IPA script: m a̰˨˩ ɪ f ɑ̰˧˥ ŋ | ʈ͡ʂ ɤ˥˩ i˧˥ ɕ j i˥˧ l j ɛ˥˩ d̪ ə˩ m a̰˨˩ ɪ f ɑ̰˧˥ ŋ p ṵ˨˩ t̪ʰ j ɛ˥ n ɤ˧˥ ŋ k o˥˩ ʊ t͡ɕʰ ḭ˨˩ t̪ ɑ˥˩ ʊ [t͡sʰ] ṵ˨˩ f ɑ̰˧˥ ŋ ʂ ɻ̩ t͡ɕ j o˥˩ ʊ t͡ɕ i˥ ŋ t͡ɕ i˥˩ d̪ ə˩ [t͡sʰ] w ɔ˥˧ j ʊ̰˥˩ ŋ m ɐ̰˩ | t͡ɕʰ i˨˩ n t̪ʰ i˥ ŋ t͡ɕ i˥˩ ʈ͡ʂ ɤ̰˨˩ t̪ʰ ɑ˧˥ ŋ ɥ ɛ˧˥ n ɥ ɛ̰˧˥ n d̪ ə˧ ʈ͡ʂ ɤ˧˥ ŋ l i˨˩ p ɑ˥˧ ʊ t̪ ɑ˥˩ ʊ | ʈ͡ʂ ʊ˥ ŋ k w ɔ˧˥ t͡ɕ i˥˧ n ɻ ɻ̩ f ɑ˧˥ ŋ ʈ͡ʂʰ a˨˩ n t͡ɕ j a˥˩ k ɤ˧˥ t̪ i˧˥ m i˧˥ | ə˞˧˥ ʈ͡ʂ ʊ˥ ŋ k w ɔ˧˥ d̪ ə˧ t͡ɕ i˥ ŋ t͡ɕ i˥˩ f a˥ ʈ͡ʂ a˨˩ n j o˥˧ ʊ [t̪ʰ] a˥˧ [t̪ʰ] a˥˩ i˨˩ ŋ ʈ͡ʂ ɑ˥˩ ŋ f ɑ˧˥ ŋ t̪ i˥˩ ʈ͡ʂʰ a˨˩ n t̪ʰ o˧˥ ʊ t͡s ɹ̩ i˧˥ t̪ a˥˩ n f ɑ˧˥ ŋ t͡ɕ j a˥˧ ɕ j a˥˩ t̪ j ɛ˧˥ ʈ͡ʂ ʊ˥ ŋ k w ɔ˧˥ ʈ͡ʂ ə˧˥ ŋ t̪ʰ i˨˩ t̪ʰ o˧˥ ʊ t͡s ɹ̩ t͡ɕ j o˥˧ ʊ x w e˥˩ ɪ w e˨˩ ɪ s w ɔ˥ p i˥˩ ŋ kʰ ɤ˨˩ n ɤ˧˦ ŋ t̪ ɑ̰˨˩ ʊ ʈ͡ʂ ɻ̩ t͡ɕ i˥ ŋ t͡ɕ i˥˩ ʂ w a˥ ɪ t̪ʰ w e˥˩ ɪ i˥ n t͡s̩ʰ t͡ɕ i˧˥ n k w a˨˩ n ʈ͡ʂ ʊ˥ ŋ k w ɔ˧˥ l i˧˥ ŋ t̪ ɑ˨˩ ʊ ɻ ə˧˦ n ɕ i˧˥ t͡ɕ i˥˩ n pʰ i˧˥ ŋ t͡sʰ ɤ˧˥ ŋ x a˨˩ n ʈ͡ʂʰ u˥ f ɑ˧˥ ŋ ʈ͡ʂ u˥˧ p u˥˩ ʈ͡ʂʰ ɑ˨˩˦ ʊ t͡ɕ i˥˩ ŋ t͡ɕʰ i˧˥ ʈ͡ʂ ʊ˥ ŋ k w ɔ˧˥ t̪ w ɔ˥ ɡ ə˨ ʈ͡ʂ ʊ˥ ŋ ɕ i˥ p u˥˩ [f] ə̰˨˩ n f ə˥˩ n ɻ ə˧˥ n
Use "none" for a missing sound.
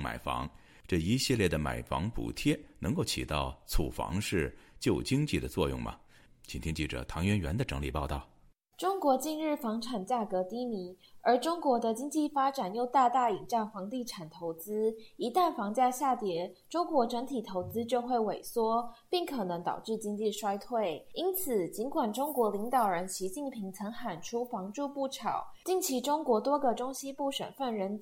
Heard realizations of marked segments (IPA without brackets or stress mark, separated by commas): t͡sʰ, t͡s, t̪, t̪, ʂ